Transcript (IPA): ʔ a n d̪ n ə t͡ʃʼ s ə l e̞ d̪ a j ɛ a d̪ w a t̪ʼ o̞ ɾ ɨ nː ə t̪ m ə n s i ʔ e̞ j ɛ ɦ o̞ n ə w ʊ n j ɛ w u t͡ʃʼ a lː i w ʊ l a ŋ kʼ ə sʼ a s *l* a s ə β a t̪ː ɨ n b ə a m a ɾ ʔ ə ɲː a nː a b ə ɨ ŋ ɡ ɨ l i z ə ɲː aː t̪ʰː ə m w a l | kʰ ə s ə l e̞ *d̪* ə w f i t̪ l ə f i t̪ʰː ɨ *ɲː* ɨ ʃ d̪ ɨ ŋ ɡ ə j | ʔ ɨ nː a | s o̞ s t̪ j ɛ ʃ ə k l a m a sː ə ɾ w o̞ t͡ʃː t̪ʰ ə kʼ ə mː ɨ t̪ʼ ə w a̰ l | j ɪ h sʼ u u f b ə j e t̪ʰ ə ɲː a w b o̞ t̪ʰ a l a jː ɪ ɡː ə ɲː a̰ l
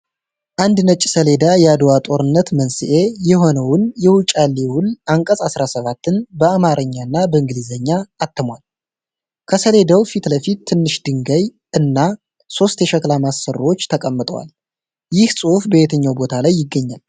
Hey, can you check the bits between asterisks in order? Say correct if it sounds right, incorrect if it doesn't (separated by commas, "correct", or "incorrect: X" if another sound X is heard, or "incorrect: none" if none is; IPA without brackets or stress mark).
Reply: incorrect: ɾ, correct, incorrect: nː